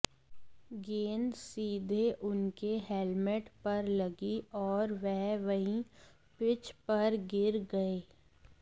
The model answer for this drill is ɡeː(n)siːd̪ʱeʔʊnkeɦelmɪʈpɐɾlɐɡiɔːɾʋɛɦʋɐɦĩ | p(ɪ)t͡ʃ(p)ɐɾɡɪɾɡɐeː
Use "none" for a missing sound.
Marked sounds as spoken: n, ɪ, p

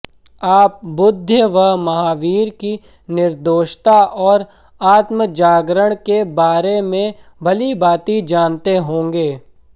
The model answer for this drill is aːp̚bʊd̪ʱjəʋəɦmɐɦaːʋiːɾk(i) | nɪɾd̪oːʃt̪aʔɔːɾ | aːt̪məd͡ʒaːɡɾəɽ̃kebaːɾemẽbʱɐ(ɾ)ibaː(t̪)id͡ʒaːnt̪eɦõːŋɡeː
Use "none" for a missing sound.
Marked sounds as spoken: i, l, t̪

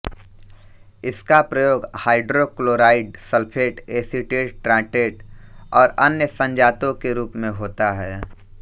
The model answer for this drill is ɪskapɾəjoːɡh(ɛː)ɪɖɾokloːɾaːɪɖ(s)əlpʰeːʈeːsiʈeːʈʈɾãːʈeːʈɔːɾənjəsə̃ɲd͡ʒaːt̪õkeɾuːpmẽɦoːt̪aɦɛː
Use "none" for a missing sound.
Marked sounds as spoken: aː, s

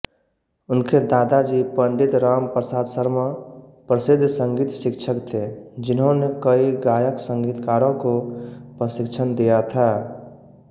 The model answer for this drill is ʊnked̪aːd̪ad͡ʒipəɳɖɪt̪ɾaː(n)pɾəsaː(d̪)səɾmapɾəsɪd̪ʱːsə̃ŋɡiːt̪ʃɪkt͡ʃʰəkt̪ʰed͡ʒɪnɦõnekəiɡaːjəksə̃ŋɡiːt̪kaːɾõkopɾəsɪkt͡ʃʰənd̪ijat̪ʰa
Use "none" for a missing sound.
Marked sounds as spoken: m, d̪

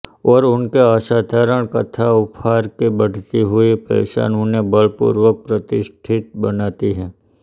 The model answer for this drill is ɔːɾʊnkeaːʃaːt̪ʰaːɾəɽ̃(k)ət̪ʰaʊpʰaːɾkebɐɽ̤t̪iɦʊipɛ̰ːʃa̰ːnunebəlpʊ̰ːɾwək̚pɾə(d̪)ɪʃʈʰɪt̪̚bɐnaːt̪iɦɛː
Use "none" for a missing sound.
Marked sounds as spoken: k, t̪

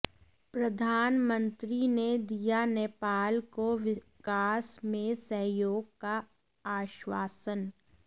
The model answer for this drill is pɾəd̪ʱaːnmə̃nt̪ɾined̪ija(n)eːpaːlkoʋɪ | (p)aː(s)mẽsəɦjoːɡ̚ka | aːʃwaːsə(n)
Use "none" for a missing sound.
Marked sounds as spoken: n, k, s, n

